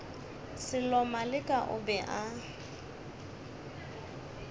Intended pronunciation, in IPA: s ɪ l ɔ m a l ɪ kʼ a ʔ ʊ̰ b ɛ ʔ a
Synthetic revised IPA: s ɪ l ɔ m a l ɪ kʼ a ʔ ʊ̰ b ɛ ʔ a